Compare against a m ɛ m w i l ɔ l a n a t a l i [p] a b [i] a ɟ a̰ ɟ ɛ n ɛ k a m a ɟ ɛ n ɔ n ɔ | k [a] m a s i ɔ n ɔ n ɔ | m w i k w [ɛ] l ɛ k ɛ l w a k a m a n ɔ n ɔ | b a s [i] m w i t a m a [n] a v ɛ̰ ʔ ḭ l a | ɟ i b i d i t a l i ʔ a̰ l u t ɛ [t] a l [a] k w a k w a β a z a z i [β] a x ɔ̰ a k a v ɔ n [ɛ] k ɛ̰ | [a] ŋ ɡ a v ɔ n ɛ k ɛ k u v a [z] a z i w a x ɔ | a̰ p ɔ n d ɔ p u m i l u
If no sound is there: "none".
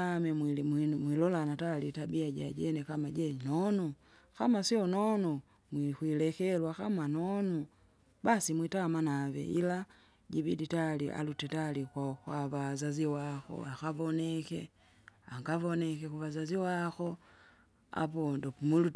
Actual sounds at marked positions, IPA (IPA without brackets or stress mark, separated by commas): t, i, a, i, i, n, t, i, w, ɛ, a, z